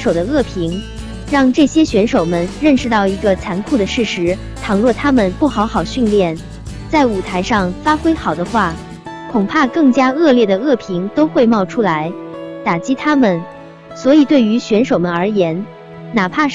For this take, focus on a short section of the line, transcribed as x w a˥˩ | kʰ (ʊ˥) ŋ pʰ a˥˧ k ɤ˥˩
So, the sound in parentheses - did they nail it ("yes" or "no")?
no